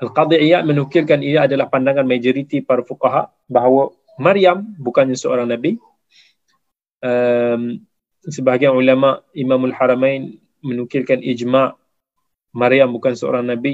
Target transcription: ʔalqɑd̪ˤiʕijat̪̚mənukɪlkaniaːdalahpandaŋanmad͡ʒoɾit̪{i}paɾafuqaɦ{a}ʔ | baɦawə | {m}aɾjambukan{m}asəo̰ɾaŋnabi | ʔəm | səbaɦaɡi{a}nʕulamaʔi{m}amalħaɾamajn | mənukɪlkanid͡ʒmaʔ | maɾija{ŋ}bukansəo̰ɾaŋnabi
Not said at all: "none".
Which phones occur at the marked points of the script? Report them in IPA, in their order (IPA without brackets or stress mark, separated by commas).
i, a, m, ɲ, a, m, m